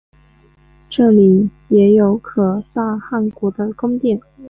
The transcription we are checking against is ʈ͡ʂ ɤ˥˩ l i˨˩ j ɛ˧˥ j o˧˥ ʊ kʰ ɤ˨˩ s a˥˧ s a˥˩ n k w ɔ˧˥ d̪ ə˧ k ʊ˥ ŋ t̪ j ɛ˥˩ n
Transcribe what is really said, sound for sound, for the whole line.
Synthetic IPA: ʈ͡ʂ ɤ˥˩ l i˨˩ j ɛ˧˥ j o˧˥ ʊ kʰ ɤ˨˩ s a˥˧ x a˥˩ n k w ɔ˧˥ d̪ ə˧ k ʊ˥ ŋ t̪ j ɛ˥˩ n